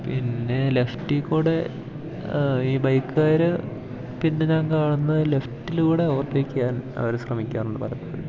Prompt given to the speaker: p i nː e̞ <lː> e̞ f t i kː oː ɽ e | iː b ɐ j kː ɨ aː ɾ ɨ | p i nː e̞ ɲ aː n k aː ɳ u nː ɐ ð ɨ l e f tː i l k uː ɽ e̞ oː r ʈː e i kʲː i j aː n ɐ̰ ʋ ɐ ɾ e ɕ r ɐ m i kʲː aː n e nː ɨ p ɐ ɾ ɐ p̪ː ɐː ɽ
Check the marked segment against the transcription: incorrect: l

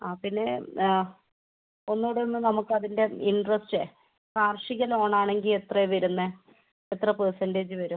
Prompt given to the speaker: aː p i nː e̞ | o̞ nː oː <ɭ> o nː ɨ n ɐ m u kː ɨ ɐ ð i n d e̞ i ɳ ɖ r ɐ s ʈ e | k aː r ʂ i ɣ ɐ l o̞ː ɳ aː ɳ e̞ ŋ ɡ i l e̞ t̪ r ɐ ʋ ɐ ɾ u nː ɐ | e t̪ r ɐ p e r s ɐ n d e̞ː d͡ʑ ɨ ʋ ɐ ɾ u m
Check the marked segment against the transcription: incorrect: ɽ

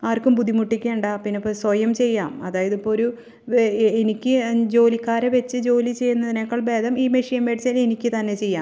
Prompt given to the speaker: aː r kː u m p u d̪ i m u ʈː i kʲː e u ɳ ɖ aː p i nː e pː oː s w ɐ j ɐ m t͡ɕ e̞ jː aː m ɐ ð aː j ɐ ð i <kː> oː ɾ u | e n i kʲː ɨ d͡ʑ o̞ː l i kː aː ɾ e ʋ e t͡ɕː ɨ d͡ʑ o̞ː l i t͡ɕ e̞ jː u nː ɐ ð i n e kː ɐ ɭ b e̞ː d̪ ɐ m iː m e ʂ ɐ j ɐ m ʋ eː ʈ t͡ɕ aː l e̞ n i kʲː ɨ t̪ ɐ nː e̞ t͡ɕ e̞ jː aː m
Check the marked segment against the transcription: incorrect: pː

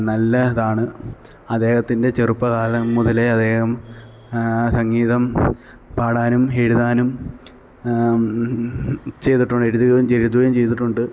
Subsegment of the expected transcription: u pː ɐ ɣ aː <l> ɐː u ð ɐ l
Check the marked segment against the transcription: correct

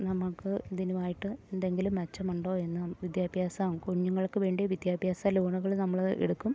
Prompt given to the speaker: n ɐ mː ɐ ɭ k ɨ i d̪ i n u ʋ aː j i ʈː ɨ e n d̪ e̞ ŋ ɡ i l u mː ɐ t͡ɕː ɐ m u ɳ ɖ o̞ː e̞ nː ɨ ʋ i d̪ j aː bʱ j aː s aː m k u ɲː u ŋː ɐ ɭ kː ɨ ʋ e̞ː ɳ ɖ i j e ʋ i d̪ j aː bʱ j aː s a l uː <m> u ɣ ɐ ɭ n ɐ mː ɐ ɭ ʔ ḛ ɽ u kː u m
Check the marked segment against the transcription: incorrect: ɳ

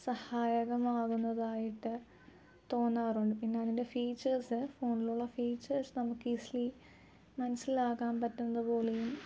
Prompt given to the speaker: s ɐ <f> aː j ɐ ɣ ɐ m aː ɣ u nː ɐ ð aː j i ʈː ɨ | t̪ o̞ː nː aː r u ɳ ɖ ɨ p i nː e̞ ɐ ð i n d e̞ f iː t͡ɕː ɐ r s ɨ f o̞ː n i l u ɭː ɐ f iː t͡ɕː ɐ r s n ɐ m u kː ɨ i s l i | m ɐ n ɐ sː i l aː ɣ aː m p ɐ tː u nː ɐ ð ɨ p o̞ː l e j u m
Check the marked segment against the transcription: incorrect: h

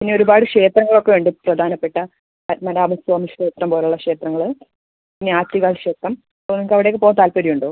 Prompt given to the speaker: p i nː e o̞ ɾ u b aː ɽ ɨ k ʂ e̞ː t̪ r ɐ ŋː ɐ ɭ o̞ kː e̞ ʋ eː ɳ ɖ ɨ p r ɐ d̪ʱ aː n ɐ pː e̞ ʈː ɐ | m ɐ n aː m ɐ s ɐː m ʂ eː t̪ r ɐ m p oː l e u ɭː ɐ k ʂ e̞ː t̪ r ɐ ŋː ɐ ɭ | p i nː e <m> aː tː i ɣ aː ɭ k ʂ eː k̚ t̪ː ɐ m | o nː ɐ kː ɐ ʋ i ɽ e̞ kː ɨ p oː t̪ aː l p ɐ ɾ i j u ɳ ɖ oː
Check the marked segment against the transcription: incorrect: none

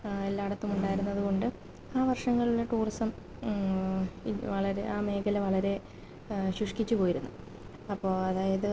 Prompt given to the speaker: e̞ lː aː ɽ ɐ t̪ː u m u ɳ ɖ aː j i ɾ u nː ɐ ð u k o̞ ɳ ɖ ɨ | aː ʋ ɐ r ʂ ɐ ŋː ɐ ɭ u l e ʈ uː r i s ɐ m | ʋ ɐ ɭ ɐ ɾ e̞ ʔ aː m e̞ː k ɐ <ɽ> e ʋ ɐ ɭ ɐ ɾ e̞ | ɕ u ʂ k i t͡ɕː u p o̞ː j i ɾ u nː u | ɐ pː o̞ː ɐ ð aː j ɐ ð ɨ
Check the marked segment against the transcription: incorrect: l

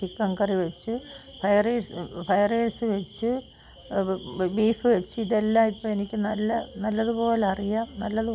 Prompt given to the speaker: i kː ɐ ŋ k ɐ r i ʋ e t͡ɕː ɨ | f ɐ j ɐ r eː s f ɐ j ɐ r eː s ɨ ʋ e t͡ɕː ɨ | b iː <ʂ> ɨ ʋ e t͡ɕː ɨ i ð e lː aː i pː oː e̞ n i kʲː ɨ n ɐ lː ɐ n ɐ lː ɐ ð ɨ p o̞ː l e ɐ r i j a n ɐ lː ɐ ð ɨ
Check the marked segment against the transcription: incorrect: f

